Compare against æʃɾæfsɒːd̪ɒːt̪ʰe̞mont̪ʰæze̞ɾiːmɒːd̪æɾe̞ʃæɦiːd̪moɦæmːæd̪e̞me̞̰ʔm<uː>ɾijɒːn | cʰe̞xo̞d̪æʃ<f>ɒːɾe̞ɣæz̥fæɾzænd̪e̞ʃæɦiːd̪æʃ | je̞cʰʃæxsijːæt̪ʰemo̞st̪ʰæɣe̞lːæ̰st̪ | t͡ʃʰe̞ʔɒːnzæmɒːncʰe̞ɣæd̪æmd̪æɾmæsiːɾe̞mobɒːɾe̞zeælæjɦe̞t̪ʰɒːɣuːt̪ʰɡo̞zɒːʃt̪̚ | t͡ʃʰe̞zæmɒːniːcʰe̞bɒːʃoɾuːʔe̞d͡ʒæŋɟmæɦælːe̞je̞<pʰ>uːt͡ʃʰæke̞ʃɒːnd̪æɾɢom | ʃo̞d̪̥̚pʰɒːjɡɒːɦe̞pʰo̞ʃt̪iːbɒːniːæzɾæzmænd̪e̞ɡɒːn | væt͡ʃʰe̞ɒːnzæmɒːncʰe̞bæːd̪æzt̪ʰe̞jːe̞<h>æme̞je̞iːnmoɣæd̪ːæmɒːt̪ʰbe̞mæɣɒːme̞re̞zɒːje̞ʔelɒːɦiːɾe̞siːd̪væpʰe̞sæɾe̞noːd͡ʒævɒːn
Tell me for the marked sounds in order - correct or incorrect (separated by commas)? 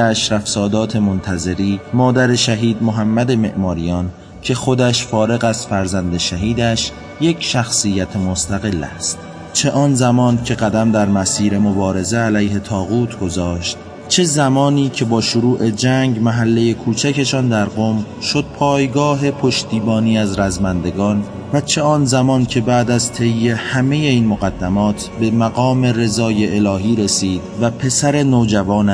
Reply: incorrect, correct, incorrect, correct